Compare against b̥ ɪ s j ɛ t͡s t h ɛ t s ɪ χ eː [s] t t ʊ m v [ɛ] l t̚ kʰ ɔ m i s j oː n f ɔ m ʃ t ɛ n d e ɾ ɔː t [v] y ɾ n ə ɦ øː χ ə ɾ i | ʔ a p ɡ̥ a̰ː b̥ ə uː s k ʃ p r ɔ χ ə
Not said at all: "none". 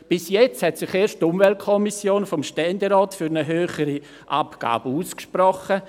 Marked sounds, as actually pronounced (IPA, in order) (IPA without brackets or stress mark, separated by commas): ʃ, ɛ, f